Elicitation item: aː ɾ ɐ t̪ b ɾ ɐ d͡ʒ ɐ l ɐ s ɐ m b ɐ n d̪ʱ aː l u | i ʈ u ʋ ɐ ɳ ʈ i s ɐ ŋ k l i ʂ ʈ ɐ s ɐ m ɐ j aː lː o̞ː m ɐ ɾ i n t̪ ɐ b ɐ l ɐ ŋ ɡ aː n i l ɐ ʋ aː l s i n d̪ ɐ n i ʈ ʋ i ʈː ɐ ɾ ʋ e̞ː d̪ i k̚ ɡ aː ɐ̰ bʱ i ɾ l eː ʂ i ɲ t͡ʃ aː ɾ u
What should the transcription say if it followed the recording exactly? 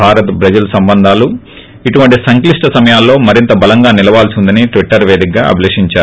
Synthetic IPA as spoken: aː ɾ ɐ t̪ b ɾ ɐ d͡ʒ ɐ l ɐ s ɐ m b ɐ n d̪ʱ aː l u | i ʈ u ʋ ɐ ɳ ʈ i s ɐ ŋ k l i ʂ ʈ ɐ s ɐ m ɐ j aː lː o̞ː m ɐ ɾ i n t̪ ɐ b ɐ l ɐ ŋ ɡ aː n i l ɐ ʋ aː l s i n d̪ ɐ n i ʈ ʋ i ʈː ɐ ɾ ʋ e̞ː d̪ i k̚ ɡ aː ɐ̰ bʱ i l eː ʂ i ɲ t͡ʃ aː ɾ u

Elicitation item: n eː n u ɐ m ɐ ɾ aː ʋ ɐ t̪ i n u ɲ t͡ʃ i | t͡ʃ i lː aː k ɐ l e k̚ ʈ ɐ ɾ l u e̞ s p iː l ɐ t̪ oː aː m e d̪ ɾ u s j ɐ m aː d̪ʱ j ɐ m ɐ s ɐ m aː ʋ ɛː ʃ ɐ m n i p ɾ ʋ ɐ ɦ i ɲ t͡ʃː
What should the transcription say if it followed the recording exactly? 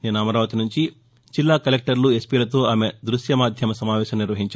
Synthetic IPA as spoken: n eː n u ɐ m ɐ ɾ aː ʋ ɐ t̪ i n u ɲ t͡ʃ i | t͡ʃ i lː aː k ɐ l e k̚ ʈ ɐ ɾ l u e̞ s p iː l ɐ t̪ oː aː m e d̪ ɾ u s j ɐ m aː d̪ʱ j ɐ m ɐ s ɐ m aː ʋ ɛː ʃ ɐ m n i ɾ ʋ ɐ ɦ i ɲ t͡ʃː

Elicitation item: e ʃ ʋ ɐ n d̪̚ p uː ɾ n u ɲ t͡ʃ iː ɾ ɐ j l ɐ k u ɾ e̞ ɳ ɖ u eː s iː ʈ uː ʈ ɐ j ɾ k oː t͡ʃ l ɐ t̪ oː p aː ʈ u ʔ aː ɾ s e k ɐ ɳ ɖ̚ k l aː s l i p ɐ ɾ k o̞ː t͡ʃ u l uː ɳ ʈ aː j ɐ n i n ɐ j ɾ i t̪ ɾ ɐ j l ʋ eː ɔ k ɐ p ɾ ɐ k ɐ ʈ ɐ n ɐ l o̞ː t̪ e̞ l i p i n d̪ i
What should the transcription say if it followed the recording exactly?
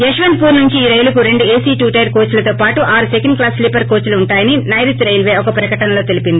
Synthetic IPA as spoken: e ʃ ʋ ɐ n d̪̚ p uː ɾ n u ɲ t͡ʃ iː ɾ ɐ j l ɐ k u ɾ e̞ ɳ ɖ u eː s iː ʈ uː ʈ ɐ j ɾ k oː t͡ʃ l ɐ t̪ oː p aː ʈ u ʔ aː ɾ s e k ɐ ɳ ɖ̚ k l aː s l i p ɐ ɾ k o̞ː t͡ʃ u l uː ɳ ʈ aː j ɐ n i n ɐ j ɾ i t̪ ɾ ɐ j l ʋ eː ɔ k ɐ p ɾ ɐ k ɐ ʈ ɐ n ɐ l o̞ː t̪ e̞ l i p i n d̪ i

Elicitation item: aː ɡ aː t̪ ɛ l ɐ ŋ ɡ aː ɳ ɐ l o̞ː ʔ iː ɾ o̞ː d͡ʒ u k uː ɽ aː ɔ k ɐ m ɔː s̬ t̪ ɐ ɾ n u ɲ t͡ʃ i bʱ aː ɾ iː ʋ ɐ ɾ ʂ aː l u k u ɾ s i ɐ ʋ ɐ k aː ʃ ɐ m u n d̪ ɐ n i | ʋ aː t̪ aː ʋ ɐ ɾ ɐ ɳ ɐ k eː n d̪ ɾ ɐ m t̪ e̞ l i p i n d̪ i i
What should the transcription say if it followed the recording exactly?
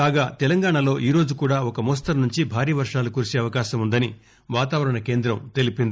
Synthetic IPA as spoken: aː ɡ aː t̪ ɛ l ɐ ŋ ɡ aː ɳ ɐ l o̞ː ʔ iː ɾ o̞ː d͡ʒ u k uː ɽ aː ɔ k ɐ m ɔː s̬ t̪ ɐ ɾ n u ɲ t͡ʃ i bʱ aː ɾ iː ʋ ɐ ɾ ʂ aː l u k u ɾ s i ɐ ʋ ɐ k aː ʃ ɐ m u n d̪ ɐ n i | ʋ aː t̪ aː ʋ ɐ ɾ ɐ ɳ ɐ k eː n d̪ ɾ ɐ m t̪ e̞ l i p i n d̪ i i

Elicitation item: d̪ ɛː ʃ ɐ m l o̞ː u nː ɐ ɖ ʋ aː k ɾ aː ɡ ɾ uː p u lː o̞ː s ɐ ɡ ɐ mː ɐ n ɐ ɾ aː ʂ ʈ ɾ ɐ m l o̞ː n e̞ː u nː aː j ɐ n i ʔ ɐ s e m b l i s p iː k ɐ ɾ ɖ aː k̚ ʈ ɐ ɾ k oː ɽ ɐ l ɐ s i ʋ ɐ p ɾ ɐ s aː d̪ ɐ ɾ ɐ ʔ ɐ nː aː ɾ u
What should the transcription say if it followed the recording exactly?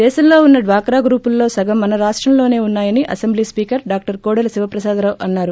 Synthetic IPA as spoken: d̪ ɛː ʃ ɐ m l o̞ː u nː ɐ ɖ ʋ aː k ɾ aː ɡ ɾ uː p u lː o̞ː s ɐ ɡ ɐ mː ɐ n ɐ ɾ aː ʂ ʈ ɾ ɐ m l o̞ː n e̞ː u nː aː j ɐ n i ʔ ɐ s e m b l i s p iː k ɐ ɾ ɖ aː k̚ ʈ ɐ ɾ k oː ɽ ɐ l ɐ s i ʋ ɐ p ɾ ɐ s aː d̪ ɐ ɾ ɐ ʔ ɐ nː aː ɾ u

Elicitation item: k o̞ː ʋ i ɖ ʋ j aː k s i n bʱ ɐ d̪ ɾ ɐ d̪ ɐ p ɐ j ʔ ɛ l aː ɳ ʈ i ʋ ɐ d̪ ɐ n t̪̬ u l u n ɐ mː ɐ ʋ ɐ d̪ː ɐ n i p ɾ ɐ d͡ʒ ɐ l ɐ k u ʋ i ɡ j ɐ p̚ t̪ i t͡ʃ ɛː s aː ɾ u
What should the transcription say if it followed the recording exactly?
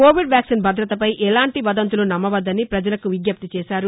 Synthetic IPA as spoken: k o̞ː ʋ i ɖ ʋ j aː k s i n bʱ ɐ d̪ ɾ ɐ t̪ ɐ p ɐ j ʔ ɛ l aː ɳ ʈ i ʋ ɐ d̪ ɐ n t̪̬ u l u n ɐ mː ɐ ʋ ɐ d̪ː ɐ n i p ɾ ɐ d͡ʒ ɐ l ɐ k u ʋ i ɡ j ɐ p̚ t̪ i t͡ʃ ɛː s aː ɾ u

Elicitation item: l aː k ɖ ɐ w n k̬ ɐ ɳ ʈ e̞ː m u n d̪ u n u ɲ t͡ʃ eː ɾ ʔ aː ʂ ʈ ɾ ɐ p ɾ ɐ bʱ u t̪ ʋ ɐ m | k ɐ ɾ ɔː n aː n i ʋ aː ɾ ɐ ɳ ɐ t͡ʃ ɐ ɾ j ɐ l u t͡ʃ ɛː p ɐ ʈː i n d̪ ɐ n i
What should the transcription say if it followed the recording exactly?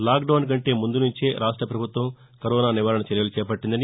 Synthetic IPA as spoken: l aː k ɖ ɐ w n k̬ ɐ ɳ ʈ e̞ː m u n d̪ u n u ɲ t͡ʃ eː ɾ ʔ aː ʂ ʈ ɾ ɐ p ɾ ɐ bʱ u t̪ ʋ ɐ m | k ɐ ɾ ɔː n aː n i ʋ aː ɾ ɐ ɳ ɐ t͡ʃ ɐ ɾ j ɐ l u t͡ʃ ɛː p ɐ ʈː i n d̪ ɐ n i

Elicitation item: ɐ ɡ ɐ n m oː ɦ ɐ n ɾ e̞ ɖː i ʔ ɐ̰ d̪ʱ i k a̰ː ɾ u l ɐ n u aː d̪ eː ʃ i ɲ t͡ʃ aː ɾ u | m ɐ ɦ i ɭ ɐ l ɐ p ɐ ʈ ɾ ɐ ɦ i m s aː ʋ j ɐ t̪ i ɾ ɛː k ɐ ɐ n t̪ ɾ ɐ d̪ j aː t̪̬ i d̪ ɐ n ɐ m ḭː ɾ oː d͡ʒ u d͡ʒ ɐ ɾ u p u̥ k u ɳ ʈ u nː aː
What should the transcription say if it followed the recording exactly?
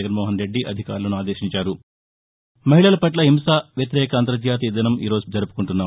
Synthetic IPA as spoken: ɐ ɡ ɐ n m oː ɦ ɐ n ɾ e̞ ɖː i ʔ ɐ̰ d̪ʱ i k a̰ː ɾ u l ɐ n u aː d̪ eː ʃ i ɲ t͡ʃ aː ɾ u | m ɐ ɦ i ɭ ɐ l ɐ p ɐ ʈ l ɐ ɦ i m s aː ʋ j ɐ t̪ i ɾ ɛː k ɐ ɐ n t̪ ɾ ɐ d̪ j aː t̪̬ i d̪ ɐ n ɐ m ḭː ɾ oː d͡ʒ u d͡ʒ ɐ ɾ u p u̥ k u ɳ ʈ u nː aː

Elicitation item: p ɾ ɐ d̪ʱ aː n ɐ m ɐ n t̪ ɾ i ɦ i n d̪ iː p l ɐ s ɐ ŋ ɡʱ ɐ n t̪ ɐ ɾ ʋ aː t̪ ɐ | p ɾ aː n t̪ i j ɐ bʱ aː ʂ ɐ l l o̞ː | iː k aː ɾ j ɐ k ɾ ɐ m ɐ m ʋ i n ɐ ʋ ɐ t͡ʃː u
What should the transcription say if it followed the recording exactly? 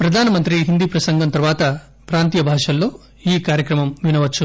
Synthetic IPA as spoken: p ɾ ɐ d̪ʱ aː n ɐ m ɐ n t̪ ɾ i ɦ i n d̪ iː p ɾ ɐ s ɐ ŋ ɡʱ ɐ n t̪ ɐ ɾ ʋ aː t̪ ɐ | p ɾ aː n t̪ i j ɐ bʱ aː ʂ ɐ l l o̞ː | iː k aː ɾ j ɐ k ɾ ɐ m ɐ m ʋ i n ɐ ʋ ɐ t͡ʃː u

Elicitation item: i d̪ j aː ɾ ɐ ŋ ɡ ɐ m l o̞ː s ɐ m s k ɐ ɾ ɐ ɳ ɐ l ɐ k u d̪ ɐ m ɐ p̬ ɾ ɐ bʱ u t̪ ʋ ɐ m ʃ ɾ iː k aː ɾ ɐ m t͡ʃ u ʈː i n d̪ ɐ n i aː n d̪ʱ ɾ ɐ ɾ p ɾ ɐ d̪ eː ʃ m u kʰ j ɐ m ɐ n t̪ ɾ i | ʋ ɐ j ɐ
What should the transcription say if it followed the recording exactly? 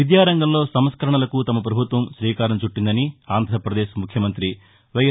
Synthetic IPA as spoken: i d̪ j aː ɾ ɐ ŋ ɡ ɐ m l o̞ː s ɐ m s k ɐ ɾ ɐ ɳ ɐ l ɐ k u t̪ ɐ m ɐ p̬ ɾ ɐ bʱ u t̪ ʋ ɐ m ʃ ɾ iː k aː ɾ ɐ m t͡ʃ u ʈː i n d̪ ɐ n i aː n d̪ʱ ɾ ɐ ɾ p ɾ ɐ d̪ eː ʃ m u kʰ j ɐ m ɐ n t̪ ɾ i | ʋ ɐ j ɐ

